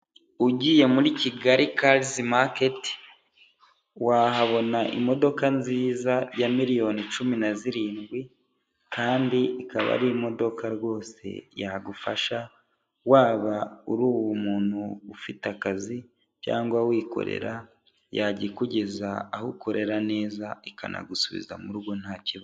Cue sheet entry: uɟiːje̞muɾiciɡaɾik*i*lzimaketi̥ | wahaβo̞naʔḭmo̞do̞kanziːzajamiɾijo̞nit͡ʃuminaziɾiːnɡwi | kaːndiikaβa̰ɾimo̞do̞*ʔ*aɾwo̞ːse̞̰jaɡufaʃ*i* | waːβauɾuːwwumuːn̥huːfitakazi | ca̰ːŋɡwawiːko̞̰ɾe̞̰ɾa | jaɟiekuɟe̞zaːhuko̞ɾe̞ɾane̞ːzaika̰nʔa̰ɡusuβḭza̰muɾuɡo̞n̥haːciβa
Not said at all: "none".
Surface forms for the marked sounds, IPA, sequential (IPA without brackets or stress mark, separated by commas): a, k, a